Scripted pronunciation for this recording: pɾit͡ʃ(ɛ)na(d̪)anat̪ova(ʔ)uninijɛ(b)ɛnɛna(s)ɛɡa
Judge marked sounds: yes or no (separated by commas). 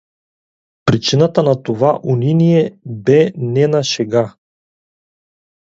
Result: no, no, yes, yes, no